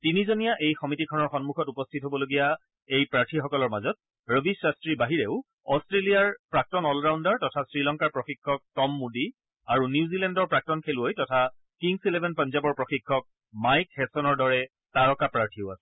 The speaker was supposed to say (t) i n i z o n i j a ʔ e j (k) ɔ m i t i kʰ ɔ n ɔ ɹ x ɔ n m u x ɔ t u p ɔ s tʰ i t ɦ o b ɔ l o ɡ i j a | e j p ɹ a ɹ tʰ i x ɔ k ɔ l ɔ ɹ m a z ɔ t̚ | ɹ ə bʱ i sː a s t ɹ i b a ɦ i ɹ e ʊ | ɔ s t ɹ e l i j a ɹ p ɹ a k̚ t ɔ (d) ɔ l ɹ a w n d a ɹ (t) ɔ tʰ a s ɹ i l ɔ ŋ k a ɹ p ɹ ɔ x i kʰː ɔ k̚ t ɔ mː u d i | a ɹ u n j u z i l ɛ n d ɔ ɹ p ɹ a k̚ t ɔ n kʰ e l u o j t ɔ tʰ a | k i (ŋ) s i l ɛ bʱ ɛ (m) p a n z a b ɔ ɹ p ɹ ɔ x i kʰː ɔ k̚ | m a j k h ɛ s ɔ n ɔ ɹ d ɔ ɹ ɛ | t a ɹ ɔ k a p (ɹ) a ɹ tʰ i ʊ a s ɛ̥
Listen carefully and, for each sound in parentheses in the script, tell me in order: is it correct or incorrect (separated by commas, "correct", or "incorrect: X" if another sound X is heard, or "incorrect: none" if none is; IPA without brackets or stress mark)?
correct, incorrect: x, incorrect: n, correct, correct, incorrect: n, correct